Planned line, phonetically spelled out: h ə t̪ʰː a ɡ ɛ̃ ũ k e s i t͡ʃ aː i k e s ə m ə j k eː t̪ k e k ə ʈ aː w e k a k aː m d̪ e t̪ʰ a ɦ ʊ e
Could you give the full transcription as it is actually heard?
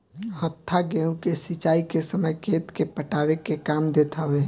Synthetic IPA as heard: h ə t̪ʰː a ɡ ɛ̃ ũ k e s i t͡ʃ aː i k e s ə m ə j k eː t̪ k e p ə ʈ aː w e k e k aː m d̪ e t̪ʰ a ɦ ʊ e